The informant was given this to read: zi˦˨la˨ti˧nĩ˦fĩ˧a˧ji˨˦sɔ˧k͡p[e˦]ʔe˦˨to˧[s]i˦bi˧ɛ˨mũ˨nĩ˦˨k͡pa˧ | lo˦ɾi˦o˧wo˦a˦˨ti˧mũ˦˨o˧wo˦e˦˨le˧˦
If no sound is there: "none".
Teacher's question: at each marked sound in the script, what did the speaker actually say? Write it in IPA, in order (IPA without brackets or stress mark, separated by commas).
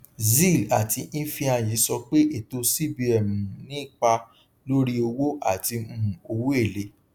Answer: e˦, s